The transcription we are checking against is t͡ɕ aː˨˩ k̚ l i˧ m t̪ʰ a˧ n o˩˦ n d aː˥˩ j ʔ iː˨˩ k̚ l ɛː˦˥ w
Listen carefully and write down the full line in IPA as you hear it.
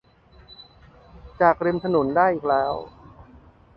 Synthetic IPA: t͡ɕ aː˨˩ k̚ ɾ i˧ m t̪ʰ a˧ n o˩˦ n d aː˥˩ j ʔ iː˨˩ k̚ l ɛː˦˥ w